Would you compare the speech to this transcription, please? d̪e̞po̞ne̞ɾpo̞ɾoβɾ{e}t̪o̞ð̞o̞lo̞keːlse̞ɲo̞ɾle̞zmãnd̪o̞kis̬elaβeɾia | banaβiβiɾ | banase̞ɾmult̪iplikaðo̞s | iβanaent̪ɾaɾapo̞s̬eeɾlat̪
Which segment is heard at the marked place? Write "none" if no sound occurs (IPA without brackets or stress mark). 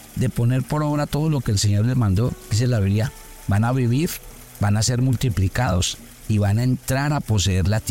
a